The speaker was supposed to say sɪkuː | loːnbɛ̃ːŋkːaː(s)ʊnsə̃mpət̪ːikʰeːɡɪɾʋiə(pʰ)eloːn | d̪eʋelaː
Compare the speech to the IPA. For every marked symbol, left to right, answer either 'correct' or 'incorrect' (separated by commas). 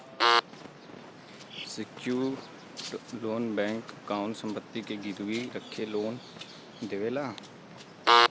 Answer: incorrect, incorrect